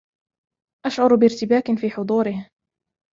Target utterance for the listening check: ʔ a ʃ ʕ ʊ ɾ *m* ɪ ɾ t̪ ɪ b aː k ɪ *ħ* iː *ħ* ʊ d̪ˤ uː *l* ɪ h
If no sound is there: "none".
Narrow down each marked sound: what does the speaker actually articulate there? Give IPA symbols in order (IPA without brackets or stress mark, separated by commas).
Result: b, f, ħ, ɾ